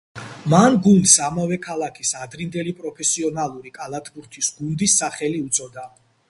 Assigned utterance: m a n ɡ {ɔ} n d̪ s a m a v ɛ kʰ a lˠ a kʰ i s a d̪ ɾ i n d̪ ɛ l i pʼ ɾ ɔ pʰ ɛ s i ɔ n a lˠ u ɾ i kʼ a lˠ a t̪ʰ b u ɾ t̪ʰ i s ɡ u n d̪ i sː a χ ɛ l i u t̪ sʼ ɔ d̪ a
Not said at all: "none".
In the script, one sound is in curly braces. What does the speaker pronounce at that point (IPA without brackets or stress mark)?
u